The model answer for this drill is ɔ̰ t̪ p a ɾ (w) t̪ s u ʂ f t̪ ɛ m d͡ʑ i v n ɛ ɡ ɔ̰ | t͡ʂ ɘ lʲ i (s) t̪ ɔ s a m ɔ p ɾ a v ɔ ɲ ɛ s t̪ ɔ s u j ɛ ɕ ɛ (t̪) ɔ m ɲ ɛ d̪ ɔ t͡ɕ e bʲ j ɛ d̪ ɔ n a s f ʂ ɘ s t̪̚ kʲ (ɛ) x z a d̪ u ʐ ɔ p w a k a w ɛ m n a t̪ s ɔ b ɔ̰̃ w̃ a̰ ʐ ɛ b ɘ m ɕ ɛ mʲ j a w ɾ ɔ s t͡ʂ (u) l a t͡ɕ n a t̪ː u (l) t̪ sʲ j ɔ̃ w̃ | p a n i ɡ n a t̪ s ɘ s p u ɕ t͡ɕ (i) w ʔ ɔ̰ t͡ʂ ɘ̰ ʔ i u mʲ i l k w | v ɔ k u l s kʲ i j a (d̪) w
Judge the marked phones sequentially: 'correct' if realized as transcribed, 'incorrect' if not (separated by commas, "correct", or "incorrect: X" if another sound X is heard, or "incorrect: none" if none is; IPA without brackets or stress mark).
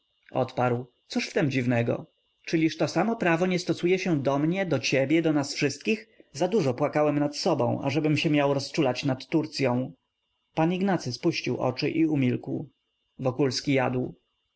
correct, incorrect: ʂ, incorrect: d̪, incorrect: i, correct, incorrect: ɾ, correct, correct